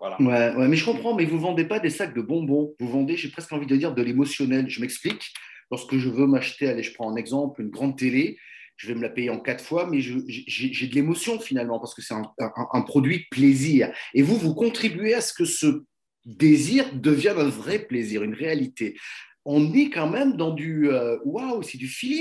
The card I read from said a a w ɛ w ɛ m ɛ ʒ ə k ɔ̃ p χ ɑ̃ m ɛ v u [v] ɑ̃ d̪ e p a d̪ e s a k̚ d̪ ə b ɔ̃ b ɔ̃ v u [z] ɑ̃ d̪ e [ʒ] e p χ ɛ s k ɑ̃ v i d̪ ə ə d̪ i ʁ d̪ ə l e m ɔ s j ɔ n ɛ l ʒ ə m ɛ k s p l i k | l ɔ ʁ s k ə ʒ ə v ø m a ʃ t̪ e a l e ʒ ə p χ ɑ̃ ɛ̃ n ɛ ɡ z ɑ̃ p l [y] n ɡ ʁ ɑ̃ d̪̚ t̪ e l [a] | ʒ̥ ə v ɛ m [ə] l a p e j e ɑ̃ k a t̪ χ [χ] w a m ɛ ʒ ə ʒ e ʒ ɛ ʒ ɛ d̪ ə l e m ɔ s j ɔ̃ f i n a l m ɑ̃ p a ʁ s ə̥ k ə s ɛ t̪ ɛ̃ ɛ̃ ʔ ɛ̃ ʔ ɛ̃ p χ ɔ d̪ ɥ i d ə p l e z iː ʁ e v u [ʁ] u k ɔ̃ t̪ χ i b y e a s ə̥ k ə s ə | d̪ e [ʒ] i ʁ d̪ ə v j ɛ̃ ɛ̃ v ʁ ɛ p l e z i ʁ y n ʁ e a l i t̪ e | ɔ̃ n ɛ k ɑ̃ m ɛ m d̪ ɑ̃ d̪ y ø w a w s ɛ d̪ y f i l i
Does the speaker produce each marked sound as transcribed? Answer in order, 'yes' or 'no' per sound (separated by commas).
yes, no, yes, yes, no, yes, no, no, no